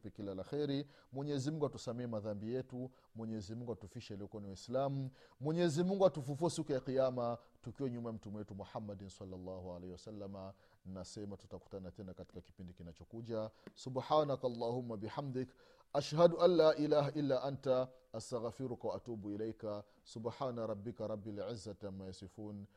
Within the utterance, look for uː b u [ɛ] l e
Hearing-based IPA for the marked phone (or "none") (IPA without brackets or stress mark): i